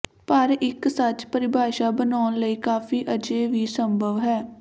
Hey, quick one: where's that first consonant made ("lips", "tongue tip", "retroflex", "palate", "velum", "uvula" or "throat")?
lips